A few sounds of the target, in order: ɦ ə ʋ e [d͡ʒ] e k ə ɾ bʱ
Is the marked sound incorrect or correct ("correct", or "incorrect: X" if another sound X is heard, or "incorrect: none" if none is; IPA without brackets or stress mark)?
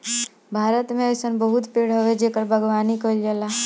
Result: correct